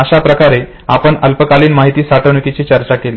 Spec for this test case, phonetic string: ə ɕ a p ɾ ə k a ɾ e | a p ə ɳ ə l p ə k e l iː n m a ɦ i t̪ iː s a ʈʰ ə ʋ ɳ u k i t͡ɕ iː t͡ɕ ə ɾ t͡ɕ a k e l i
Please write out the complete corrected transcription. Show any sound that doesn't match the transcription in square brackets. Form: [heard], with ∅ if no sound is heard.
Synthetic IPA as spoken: ə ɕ a p ɾ ə k a ɾ e | a p ə ɳ ə l p ə k [a] l iː n m a ɦ i t̪ iː s a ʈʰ ə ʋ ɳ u k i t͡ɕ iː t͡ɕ ə ɾ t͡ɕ a k e l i